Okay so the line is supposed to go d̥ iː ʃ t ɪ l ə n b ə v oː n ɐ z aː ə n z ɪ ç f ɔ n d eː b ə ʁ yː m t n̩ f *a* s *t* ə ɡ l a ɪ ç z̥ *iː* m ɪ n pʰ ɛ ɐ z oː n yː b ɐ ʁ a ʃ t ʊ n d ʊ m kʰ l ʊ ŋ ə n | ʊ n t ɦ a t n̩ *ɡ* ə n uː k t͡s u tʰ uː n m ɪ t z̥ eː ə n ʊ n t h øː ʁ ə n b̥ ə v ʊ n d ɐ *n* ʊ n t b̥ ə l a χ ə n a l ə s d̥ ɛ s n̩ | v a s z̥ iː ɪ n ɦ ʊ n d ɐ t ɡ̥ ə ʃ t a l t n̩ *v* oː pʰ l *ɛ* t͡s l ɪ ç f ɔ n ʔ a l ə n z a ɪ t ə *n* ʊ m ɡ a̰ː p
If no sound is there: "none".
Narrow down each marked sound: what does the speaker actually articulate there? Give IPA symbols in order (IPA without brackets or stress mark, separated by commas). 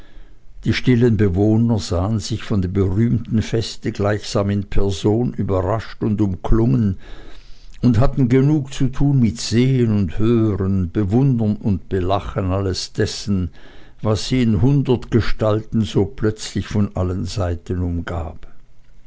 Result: ɛ, t, aː, ɡ, n, z, œ, n